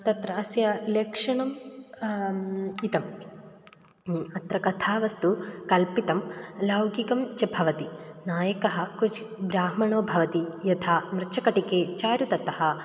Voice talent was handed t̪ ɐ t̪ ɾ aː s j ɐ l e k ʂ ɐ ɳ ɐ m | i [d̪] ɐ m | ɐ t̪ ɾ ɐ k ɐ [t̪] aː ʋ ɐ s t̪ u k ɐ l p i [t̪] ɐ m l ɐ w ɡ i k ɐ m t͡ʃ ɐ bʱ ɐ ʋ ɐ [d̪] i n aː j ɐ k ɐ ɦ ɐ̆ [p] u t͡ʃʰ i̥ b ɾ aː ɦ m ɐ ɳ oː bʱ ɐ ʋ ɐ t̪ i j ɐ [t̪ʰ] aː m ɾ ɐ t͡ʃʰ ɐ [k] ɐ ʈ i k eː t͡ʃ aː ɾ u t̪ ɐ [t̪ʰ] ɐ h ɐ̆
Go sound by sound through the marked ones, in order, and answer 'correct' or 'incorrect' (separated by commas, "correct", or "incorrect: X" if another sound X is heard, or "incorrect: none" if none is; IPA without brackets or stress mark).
incorrect: t̪, incorrect: t̪ʰ, correct, incorrect: t̪, incorrect: k, correct, correct, incorrect: t̪